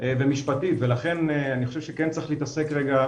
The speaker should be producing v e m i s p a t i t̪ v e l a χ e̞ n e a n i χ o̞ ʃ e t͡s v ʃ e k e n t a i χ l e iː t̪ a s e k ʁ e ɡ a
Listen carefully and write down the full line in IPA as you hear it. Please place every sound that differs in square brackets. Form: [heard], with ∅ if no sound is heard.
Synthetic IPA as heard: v e m i [ʃ] p a t i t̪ v e l a χ e̞ n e a n i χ o̞ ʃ e [∅] v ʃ e k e n [t͡s] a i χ l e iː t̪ a s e k ʁ e ɡ a